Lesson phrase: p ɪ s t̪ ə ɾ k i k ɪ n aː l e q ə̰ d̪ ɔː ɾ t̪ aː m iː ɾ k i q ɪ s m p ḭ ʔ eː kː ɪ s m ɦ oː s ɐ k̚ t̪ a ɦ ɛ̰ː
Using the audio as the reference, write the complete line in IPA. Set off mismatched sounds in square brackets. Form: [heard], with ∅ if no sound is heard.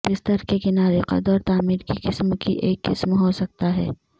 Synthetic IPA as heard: [b] ɪ s t̪ ə ɾ k [e] k ɪ n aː [ɾ] e q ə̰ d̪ ɔː ɾ t̪ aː m iː ɾ k i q ɪ s m [k] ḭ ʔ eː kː ɪ s m ɦ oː s ɐ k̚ t̪ a ɦ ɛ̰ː